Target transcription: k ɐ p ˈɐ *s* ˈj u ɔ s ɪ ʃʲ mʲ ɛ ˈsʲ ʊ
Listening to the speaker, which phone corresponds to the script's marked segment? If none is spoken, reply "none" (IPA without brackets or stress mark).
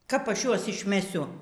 ʃ